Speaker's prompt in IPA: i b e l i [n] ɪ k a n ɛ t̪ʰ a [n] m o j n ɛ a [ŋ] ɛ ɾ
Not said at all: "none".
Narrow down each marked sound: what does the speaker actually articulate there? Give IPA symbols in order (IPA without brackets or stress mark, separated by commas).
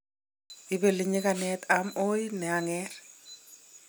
ɲ, none, ŋ